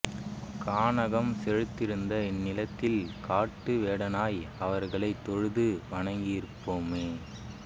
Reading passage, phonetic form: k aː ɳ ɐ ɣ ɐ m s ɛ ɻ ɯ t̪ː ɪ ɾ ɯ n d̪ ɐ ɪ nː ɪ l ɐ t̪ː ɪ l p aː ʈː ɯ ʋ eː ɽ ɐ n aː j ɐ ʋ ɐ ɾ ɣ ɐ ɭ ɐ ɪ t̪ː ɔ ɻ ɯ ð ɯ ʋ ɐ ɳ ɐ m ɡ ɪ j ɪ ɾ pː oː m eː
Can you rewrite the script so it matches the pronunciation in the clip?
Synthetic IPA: k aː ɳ ɐ ɣ ɐ m s ɛ ɻ ɯ t̪ː ɪ ɾ ɯ n d̪ ɐ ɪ nː ɪ l ɐ t̪ː ɪ l k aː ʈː ɯ ʋ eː ɽ ɐ n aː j ɐ ʋ ɐ ɾ ɣ ɐ ɭ ɐ ɪ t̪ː ɔ ɻ ɯ ð ɯ ʋ ɐ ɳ ɐ ŋ ɡ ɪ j ɪ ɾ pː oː m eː